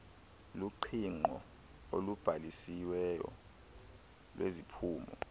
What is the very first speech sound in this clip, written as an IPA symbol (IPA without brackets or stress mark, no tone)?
l